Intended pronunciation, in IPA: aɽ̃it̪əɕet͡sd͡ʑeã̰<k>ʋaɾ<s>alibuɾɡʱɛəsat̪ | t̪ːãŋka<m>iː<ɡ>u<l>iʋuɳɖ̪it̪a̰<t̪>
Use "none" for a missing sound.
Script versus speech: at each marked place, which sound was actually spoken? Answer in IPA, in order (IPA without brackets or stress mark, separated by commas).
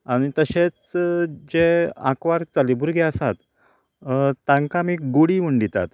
k, t͡s, m, ɡ, ɽ, t̪